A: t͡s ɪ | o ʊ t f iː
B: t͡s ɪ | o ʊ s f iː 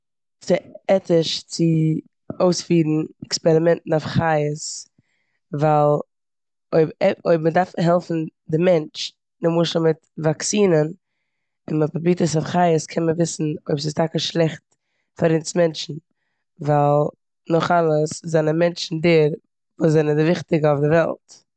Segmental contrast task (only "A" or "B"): B